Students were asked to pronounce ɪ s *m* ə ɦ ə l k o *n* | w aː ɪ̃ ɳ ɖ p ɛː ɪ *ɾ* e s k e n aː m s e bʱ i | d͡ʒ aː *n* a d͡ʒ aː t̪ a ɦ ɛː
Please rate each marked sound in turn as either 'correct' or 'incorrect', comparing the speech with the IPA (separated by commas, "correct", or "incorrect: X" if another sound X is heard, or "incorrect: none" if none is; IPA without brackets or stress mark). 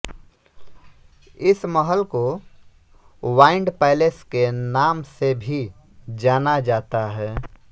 correct, incorrect: none, incorrect: l, correct